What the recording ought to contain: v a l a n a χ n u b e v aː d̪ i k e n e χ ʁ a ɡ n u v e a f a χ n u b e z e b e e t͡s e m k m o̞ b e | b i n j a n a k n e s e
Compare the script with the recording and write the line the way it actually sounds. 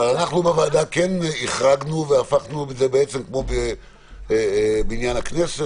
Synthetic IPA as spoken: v a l a n a χ n u b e v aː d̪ a k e n i χ ʁ a ɡ n u v e a f a χ n u b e z e b e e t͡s e m k m o̞ b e | b i n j a n a k n e s e